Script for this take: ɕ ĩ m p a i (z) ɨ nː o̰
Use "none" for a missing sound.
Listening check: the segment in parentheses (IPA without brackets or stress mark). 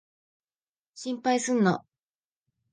s